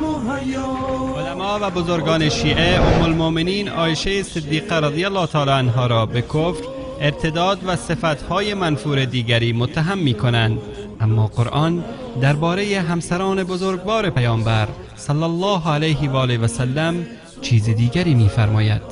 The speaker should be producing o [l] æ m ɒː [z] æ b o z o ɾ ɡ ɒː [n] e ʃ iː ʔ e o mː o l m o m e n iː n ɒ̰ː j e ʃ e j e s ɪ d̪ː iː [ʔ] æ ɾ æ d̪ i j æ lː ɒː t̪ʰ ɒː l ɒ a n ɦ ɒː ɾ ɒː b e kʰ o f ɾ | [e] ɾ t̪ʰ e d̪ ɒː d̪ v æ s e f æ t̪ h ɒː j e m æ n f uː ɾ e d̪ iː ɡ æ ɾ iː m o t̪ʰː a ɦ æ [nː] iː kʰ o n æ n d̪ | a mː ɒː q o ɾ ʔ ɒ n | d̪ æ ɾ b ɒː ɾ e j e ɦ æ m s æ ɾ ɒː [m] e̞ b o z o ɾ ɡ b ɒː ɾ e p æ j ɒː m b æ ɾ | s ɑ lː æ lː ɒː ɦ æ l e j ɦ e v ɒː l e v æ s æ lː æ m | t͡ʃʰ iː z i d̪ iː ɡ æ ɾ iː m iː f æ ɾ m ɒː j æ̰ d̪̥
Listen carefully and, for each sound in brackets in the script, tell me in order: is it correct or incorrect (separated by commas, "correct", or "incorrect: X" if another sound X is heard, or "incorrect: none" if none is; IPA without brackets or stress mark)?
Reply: correct, incorrect: v, correct, incorrect: q, correct, incorrect: mː, incorrect: n